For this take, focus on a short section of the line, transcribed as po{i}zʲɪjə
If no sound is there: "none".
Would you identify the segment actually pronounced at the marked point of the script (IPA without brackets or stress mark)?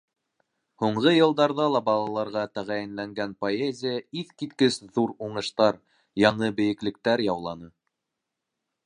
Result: e